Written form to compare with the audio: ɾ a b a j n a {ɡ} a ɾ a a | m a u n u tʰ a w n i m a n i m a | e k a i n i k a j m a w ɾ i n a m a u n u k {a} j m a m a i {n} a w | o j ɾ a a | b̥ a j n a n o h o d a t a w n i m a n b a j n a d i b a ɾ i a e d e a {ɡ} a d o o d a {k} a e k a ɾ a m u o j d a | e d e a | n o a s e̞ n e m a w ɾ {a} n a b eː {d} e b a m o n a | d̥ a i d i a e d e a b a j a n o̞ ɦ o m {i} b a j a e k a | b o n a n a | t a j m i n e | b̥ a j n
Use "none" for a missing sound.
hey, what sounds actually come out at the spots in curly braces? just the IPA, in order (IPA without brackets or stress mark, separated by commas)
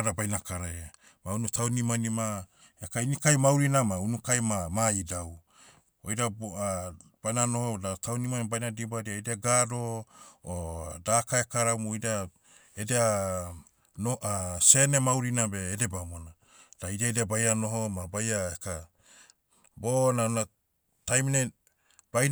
k, a, d, ɡ, k, i, d, a